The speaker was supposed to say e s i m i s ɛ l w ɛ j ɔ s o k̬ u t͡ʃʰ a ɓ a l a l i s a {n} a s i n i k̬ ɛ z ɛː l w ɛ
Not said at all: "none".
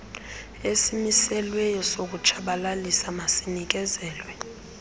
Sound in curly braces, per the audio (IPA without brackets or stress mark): m